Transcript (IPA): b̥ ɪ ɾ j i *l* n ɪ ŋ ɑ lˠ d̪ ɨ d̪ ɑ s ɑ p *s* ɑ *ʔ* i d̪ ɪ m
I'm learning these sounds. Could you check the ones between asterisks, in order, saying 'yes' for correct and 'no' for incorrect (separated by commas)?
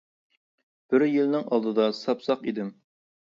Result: yes, yes, no